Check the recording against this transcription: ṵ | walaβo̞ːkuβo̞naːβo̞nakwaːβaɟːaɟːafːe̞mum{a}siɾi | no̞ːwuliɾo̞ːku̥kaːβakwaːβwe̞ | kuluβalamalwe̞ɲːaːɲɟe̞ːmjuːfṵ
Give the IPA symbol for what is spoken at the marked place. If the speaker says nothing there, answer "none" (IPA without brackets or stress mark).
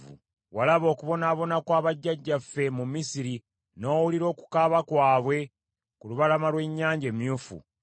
i